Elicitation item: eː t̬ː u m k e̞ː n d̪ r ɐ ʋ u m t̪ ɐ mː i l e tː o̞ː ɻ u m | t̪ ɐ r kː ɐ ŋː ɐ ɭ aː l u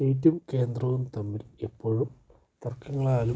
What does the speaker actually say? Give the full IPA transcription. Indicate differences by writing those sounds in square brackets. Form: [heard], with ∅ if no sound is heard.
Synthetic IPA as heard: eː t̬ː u m k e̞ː n d̪ r ɐ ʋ u m t̪ ɐ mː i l e [pː] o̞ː ɻ u m | t̪ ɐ r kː ɐ ŋː ɐ ɭ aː l u